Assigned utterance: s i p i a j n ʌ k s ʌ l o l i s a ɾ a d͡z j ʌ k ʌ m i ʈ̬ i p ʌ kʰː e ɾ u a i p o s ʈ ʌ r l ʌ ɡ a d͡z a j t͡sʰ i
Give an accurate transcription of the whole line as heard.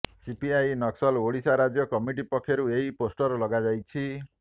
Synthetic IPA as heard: s i p i a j n ʌ k s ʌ l o ɽ i s a ɾ a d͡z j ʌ k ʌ m i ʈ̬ i p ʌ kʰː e ɾ u e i p o s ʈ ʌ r l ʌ ɡ a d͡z a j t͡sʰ i

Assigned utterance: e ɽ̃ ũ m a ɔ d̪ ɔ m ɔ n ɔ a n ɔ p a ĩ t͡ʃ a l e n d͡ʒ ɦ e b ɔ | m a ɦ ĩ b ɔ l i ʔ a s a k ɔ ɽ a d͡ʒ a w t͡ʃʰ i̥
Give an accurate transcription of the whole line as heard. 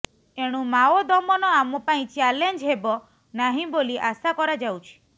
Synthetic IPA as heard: e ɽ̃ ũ m a ɔ d̪ ɔ m ɔ n ɔ a m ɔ p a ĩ t͡ʃ a l e n d͡ʒ ɦ e b ɔ | n a ɦ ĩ b o l i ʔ a s a k ɔ ɾ a d͡ʒ a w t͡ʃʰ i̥

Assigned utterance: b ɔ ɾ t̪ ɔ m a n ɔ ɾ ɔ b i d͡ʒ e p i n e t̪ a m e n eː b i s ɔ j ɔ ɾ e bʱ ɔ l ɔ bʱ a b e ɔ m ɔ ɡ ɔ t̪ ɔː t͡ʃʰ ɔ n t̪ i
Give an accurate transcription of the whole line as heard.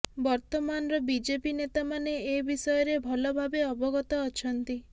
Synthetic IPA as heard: b ɔ ɾ t̪ ɔ m a n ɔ ɾ ɔ b i d͡ʒ e p i n e t̪ a m a n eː b i s ɔ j ɔ ɾ e bʱ ɔ l ɔ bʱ a b e ɔ b ɔ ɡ ɔ t̪ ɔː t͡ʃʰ ɔ n t̪ i

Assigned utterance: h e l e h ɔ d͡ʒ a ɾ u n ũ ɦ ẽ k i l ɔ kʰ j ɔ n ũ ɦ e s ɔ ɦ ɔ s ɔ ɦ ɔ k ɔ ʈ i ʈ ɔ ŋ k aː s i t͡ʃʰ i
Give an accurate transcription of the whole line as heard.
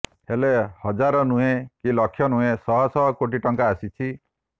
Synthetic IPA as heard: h e l e h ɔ d͡ʒ a ɾ ɔ n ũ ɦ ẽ k i l ɔ kʰ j ɔ n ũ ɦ e s ɔ ɦ ɔ s ɔ ɦ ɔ k o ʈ i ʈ ɔ ŋ k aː s i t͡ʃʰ i

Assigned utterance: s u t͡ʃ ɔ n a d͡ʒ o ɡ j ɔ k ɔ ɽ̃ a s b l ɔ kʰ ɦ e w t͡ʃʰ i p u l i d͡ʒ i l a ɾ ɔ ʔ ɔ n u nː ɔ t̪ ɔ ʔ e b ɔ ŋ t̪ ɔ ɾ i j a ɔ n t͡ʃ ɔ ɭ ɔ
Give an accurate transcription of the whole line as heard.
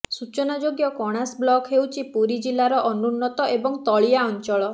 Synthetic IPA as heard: s u t͡ʃ ɔ n a d͡ʒ o ɡ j ɔ k ɔ ɽ̃ a s b l ɔ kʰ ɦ e w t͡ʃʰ i p u ɾ i d͡ʒ i l a ɾ ɔ ʔ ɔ n u nː ɔ t̪ ɔ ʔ e b ɔ ŋ t̪ ɔ ɭ i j a ɔ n t͡ʃ ɔ ɭ ɔ

